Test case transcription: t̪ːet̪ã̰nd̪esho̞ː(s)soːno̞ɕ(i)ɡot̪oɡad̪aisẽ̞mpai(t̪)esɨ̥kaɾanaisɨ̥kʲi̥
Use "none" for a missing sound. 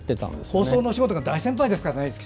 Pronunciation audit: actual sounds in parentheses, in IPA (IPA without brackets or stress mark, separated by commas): s, i, d̪